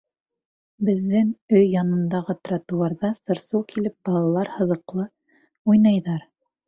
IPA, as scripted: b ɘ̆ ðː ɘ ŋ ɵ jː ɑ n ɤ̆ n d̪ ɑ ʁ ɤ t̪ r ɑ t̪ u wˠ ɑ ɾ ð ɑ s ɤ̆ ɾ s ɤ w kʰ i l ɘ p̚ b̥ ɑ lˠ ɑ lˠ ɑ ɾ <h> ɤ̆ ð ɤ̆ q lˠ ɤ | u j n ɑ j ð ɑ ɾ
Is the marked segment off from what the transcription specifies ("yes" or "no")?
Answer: no